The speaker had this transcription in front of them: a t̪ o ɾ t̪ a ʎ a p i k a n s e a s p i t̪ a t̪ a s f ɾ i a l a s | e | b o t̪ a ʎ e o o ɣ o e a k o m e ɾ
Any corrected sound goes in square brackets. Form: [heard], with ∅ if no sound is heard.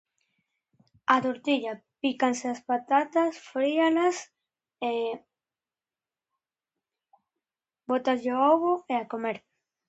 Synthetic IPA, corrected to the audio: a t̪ o ɾ t̪ [i] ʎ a p i k a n s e a s p [a] t̪ a t̪ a s f ɾ i a l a s | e | b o t̪ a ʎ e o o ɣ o e a k o m e ɾ